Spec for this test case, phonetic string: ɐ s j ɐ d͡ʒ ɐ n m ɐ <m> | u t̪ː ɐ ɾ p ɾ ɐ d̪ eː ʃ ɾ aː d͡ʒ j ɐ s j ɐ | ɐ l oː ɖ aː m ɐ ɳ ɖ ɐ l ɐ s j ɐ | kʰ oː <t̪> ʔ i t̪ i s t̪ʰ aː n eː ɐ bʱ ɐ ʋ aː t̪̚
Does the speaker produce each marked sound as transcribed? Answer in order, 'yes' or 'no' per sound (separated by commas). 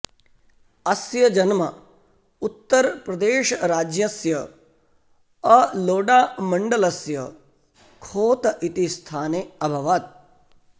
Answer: no, yes